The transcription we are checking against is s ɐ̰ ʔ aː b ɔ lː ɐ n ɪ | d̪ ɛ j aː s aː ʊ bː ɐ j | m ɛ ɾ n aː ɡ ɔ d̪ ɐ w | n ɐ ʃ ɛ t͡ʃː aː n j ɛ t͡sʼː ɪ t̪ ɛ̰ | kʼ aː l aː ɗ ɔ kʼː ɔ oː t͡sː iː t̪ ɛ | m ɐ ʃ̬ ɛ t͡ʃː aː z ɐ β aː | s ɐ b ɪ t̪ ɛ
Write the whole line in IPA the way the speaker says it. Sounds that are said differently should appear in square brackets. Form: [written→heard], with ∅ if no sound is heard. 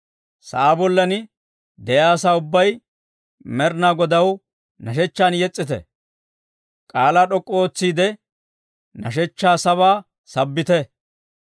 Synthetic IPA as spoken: s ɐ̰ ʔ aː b ɔ lː ɐ n ɪ | d̪ ɛ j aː s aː ʊ bː ɐ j | m ɛ ɾ n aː ɡ ɔ d̪ ɐ w | n ɐ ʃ ɛ t͡ʃː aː n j ɛ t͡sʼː ɪ t̪ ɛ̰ | kʼ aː l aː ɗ ɔ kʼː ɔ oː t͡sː iː [t̪→d̪] ɛ | [m→n] ɐ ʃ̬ ɛ t͡ʃː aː [z→s] ɐ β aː | s ɐ [b→bː] ɪ t̪ ɛ